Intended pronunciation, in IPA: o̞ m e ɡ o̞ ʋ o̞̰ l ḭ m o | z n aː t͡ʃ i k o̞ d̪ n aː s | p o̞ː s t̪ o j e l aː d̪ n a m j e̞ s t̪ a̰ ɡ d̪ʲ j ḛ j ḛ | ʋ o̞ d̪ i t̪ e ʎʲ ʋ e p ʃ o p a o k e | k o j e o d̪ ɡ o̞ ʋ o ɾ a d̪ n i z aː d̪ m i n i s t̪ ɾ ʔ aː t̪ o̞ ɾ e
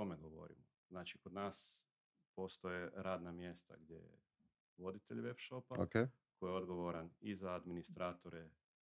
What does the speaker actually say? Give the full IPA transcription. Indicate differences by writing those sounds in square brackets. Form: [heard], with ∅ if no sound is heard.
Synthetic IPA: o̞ m e ɡ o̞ ʋ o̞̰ [ɾ] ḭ m o | z n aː t͡ʃ i k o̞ d̪ n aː s | p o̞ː s t̪ o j e [ɾ] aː d̪ n a m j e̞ s t̪ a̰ ɡ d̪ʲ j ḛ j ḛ | ʋ o̞ d̪ i t̪ e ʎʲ ʋ e p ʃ o p a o k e | k o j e o d̪ ɡ o̞ ʋ o ɾ a [∅] n i z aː d̪ m i n i s t̪ ɾ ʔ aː t̪ o̞ ɾ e